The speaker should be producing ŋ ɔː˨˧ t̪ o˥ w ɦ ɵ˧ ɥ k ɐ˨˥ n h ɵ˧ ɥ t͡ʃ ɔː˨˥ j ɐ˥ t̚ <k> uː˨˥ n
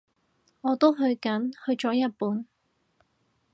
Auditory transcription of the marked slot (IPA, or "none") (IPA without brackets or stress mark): p